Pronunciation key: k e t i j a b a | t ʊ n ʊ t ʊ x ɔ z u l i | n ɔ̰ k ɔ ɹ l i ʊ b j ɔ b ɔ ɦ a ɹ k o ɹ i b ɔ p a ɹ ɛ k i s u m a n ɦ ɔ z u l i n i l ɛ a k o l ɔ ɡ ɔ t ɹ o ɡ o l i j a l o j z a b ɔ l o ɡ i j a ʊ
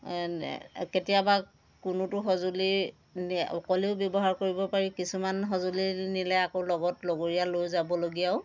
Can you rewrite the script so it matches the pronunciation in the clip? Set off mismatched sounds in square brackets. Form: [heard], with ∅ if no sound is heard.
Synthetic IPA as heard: k e t i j a b a | [k] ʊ n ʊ t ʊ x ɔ z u l i | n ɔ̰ k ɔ [∅] l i ʊ b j ɔ b ɔ ɦ a ɹ k o ɹ i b ɔ p a ɹ [i] k i s u m a n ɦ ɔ z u l i n i l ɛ a k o l ɔ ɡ ɔ t [l] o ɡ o [ɹ] i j a l o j z a b ɔ l o ɡ i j a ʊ